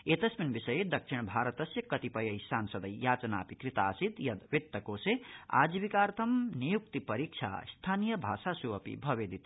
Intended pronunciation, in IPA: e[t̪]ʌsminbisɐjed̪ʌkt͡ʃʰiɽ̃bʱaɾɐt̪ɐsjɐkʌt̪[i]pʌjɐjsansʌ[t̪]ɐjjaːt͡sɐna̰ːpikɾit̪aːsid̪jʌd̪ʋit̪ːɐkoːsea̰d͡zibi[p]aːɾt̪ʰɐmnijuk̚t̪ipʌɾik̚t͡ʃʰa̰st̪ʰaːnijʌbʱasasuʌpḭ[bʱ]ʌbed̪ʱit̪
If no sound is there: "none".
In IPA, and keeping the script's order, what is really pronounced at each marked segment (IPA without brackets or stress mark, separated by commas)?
t̪, i, d̪, k, bʱ